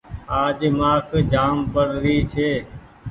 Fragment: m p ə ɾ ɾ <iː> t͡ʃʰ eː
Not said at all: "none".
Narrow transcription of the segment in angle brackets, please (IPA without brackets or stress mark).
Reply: iː